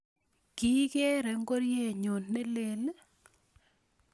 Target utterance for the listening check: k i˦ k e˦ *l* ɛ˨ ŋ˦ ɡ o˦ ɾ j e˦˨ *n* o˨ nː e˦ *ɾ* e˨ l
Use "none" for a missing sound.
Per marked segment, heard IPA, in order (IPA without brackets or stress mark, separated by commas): ɾ, ɲ, l